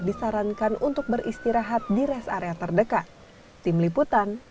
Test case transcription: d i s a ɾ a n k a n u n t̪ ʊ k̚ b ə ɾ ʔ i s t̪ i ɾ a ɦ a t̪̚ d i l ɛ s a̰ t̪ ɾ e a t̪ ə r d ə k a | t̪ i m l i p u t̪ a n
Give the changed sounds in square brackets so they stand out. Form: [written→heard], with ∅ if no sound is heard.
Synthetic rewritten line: d i s a ɾ a n k a n u n t̪ ʊ k̚ b ə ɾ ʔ i s t̪ i ɾ a ɦ a t̪̚ d i [l→ɾ] ɛ s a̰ [t̪→∅] ɾ e a t̪ ə r d ə k a | t̪ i m l i p u t̪ a n